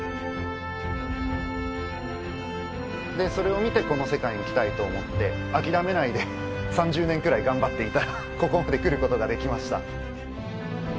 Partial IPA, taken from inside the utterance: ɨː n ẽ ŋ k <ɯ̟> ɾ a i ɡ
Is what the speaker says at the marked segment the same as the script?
yes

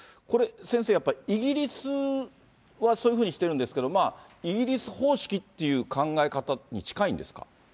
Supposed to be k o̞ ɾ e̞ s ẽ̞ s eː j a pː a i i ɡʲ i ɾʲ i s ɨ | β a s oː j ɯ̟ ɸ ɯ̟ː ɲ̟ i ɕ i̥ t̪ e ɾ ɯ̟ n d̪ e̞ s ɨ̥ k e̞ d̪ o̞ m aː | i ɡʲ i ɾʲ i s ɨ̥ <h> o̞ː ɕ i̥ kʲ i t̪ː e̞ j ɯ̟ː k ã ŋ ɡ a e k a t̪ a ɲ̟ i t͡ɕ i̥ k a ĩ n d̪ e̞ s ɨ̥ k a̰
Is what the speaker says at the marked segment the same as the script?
yes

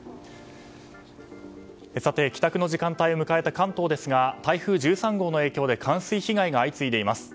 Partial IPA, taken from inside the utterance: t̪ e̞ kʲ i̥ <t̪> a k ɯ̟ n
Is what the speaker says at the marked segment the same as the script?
yes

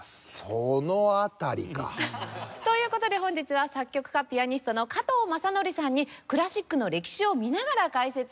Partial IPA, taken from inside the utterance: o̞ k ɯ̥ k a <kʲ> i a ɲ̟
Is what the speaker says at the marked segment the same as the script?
no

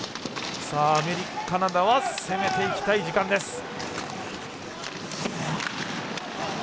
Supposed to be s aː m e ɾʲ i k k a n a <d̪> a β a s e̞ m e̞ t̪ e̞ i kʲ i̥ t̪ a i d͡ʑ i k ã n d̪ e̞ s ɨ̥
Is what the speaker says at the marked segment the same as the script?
yes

